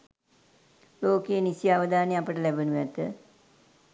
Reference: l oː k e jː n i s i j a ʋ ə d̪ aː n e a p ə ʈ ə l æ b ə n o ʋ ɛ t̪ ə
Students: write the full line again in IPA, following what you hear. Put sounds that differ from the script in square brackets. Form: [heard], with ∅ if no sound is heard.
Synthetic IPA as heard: l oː k e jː n i s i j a ʋ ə d̪ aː n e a p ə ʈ ə l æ b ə n [u] ʋ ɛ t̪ ə